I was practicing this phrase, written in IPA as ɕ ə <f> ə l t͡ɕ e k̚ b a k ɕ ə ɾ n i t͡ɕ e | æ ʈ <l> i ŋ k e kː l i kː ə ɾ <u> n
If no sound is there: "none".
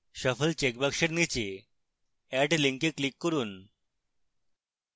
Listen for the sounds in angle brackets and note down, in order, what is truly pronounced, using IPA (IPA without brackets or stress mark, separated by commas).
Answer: f, l, uː